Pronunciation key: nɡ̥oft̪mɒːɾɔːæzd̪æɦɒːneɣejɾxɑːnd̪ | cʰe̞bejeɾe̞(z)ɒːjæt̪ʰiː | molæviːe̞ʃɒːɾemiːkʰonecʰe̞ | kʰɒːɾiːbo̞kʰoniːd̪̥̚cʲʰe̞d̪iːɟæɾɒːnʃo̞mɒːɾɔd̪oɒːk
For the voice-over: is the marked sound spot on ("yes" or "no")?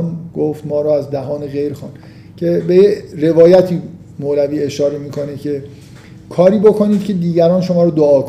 no